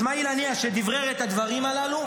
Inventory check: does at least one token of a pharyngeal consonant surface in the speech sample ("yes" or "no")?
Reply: no